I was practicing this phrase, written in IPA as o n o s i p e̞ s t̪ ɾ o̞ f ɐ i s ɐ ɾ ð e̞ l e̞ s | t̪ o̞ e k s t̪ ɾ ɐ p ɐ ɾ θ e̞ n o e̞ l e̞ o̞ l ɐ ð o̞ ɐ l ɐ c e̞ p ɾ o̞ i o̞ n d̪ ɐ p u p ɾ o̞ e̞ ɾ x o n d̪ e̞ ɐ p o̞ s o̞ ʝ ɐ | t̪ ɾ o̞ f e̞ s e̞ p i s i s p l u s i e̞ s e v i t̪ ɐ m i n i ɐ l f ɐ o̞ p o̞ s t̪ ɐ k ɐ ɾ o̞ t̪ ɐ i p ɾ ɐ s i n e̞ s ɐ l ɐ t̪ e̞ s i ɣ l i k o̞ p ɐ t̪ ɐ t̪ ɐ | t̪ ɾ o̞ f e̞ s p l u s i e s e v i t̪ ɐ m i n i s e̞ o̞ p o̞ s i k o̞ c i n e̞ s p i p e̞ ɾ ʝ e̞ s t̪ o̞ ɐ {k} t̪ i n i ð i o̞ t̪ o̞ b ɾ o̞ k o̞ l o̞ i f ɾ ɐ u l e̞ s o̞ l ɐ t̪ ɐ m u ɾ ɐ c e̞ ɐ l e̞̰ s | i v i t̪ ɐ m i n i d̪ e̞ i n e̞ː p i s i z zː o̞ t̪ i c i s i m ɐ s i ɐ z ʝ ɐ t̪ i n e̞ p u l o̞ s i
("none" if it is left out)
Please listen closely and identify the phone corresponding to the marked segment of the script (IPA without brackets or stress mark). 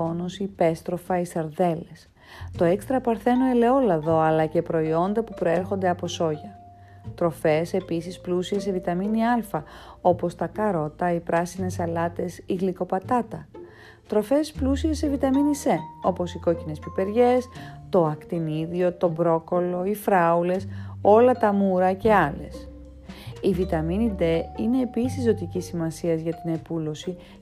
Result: k